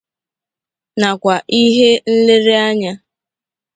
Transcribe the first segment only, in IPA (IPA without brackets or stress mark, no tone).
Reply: n